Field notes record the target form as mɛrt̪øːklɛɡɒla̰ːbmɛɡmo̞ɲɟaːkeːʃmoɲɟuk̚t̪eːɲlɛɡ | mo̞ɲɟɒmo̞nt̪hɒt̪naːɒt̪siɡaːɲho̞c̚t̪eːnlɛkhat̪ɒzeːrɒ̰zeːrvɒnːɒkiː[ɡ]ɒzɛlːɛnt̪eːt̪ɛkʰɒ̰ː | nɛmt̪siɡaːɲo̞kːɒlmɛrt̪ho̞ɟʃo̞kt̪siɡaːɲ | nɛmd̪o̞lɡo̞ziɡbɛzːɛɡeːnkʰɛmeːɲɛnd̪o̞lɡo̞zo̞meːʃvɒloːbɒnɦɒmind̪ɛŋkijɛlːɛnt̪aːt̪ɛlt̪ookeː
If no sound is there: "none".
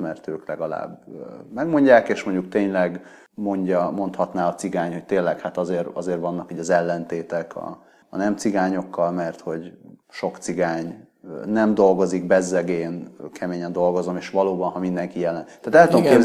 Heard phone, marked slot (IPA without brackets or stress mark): ɟ